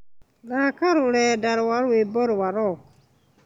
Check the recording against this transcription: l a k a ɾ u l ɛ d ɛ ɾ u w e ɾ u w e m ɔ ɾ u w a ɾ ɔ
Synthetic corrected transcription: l a k a ɾ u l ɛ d a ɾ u w a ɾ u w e b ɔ ɾ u w a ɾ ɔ